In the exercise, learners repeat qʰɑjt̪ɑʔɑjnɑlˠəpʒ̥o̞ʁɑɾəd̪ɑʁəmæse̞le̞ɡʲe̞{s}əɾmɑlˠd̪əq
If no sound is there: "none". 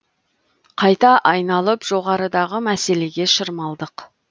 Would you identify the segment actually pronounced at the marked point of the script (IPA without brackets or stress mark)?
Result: ʃ